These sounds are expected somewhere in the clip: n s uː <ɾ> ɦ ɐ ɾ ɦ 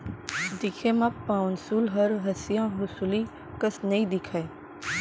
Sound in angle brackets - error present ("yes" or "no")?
yes